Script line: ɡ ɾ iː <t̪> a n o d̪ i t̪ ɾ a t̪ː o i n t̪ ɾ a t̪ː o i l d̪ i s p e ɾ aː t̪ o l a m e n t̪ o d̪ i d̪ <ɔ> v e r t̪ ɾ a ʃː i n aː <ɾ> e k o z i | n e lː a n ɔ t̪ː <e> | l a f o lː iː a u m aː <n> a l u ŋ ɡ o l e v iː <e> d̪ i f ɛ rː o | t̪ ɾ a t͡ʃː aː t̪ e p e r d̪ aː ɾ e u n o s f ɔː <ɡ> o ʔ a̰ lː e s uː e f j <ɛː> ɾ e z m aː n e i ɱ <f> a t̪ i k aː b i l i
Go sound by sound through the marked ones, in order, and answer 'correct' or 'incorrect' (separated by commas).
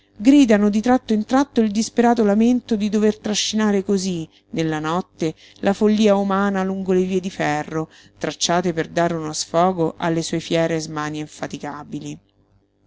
incorrect, incorrect, correct, correct, correct, correct, correct, correct, correct